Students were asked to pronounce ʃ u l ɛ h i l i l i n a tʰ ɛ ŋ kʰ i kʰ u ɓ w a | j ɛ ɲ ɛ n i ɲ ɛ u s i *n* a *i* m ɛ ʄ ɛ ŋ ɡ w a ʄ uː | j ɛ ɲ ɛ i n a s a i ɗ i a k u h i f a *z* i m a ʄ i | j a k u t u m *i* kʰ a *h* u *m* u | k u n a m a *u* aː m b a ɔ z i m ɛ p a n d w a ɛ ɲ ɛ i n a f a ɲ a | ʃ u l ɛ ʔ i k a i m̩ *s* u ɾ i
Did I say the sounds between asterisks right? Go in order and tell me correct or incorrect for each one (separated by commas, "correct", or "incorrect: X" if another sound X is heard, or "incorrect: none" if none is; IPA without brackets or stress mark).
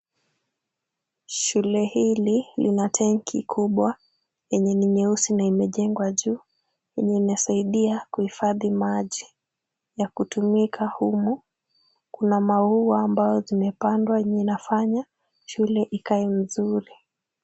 correct, correct, incorrect: ð, correct, correct, correct, correct, incorrect: z